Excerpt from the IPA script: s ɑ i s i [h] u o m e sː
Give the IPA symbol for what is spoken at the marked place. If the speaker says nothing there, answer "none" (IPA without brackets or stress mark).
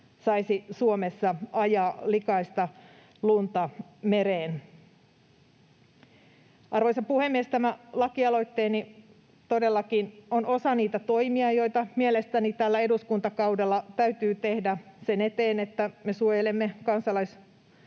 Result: s